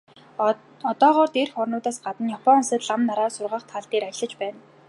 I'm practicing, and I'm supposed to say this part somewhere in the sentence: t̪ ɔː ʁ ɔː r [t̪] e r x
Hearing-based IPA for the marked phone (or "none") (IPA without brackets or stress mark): t̪